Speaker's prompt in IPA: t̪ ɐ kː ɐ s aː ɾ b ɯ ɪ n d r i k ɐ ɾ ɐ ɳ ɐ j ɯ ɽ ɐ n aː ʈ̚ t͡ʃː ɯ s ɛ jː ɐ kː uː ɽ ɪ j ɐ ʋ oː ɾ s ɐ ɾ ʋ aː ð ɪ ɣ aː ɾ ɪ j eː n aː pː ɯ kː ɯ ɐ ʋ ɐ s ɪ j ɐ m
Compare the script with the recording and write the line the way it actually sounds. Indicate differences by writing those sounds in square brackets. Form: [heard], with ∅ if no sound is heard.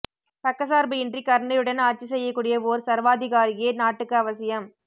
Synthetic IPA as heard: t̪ ɐ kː ɐ s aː ɾ b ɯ ɪ n d r i k ɐ ɾ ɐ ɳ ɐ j ɯ ɽ ɐ n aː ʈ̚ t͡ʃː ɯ s ɛ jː ɐ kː uː ɽ ɪ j ɐ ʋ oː ɾ s ɐ ɾ ʋ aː ð ɪ ɣ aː ɾ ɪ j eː n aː [ʈː] ɯ kː ɯ ɐ ʋ ɐ s ɪ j ɐ m